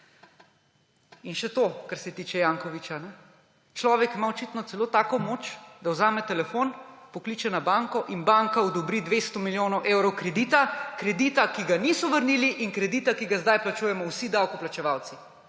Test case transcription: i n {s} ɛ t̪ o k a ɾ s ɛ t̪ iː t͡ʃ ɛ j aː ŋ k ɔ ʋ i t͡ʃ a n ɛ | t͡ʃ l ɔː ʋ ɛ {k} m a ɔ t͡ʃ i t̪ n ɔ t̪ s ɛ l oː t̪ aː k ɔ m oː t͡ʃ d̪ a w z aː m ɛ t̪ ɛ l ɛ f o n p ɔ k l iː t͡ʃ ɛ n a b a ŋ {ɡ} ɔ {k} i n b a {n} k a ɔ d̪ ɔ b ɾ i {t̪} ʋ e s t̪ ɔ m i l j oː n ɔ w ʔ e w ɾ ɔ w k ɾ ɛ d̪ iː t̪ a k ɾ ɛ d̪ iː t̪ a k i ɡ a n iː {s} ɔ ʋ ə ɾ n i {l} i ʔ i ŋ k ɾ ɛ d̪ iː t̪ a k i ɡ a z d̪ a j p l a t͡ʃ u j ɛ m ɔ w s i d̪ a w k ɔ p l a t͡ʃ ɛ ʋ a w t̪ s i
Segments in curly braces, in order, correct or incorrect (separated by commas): incorrect, correct, incorrect, incorrect, incorrect, incorrect, correct, correct